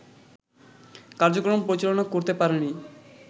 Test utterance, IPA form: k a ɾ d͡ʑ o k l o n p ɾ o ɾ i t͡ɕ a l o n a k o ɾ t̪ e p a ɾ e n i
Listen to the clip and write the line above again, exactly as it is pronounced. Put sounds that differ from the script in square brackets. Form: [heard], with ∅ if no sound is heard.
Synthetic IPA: k a ɾ d͡ʑ o k [ɾ] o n p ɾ o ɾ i t͡ɕ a l o n a k o ɾ t̪ e p a ɾ e n i

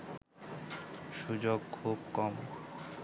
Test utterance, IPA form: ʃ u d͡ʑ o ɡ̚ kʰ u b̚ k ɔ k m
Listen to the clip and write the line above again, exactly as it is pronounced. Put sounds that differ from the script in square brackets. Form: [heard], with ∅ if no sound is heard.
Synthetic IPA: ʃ u d͡ʑ o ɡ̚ kʰ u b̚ k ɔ [∅] m

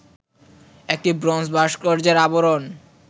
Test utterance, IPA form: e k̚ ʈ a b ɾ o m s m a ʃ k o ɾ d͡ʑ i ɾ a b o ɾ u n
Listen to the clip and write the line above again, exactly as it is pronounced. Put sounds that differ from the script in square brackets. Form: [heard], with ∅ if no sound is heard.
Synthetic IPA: e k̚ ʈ [i] b ɾ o [n] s [b] a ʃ k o ɾ d͡ʑ [e] ɾ a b o ɾ [o] n

